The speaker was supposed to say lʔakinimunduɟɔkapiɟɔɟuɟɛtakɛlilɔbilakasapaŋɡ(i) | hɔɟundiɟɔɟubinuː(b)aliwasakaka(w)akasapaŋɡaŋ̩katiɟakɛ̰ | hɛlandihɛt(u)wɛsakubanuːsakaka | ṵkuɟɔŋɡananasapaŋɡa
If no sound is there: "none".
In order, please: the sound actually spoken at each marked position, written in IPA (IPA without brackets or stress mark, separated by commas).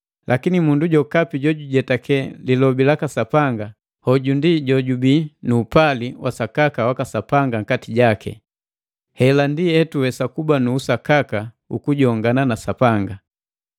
a, p, w, u